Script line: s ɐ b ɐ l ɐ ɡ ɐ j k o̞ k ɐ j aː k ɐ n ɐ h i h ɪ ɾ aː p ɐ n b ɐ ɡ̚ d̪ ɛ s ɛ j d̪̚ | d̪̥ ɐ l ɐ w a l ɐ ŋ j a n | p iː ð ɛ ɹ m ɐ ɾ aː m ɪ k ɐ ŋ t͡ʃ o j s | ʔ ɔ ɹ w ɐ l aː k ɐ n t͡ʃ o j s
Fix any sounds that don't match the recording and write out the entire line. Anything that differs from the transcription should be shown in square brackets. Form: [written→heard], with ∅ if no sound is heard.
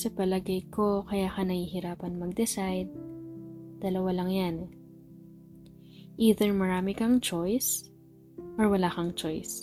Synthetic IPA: s ɐ [b→p] ɐ l ɐ ɡ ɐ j k o̞ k ɐ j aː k ɐ n ɐ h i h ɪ ɾ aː p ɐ n [b→m] ɐ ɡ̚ d̪ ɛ s [ɛ→a] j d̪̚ | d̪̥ ɐ l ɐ w a l ɐ ŋ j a n | [p→ʔ] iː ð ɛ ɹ m ɐ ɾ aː m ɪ k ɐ ŋ t͡ʃ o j s | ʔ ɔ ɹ w ɐ l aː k ɐ [n→ŋ] t͡ʃ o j s